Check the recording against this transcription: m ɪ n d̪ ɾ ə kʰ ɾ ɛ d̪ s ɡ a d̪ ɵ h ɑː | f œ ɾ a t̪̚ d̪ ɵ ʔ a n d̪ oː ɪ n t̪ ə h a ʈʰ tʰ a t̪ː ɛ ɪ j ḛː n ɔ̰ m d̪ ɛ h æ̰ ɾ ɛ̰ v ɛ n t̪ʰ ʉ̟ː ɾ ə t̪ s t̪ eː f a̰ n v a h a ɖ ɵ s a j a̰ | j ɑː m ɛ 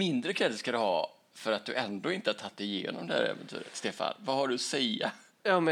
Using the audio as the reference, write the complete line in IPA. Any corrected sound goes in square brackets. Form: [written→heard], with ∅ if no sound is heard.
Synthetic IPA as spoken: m ɪ n d̪ ɾ ə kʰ ɾ ɛ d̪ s [ɡ→k] a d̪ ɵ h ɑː | f œ ɾ a t̪̚ d̪ ɵ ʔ [a→ɛ] n d̪ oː ɪ n t̪ ə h a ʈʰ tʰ a t̪ː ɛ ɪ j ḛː n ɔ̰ m d̪ ɛ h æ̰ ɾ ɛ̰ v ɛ n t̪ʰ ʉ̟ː ɾ ə t̪ s t̪ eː f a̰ n v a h a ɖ ɵ s [a→ɛ] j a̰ | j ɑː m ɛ